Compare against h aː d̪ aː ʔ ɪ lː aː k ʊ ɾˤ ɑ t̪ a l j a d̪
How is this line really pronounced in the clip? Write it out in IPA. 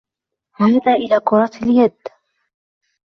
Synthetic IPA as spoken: h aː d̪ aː ʔ ɪ l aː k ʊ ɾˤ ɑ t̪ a l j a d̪